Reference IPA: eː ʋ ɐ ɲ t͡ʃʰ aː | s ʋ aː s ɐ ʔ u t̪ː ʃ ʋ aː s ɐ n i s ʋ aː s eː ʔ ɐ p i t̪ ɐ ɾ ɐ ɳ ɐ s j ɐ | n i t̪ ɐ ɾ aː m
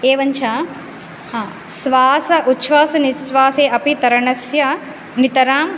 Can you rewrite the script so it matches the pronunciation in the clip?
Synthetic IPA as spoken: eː ʋ ɐ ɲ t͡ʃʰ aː | s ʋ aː s ɐ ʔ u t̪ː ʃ ʋ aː s ɐ n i s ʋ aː s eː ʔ ɐ p i t̪ ɐ ɾ ɐ ɳ ɐ s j ɐ | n i t̪ ɐ ɾ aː m